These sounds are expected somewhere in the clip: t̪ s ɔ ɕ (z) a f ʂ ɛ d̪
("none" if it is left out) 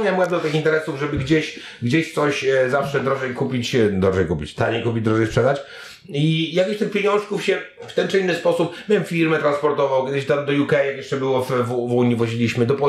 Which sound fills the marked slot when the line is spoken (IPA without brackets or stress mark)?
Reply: z